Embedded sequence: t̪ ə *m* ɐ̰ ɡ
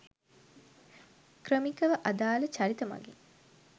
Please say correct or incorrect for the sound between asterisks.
correct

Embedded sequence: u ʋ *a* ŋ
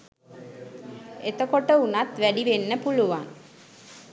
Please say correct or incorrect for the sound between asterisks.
correct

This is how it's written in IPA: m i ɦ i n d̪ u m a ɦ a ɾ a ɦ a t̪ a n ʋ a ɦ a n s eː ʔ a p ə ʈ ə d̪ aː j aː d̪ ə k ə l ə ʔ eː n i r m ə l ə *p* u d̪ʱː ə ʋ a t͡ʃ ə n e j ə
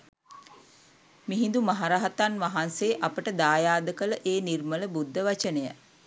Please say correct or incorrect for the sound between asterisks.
incorrect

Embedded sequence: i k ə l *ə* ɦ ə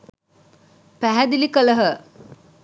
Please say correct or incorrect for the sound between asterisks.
correct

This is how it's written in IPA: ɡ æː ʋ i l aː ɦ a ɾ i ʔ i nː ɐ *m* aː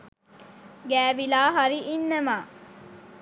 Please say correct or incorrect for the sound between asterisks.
correct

